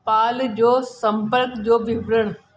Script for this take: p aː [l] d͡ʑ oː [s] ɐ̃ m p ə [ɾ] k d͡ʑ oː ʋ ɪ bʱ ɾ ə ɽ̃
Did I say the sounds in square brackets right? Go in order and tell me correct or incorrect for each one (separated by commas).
correct, correct, correct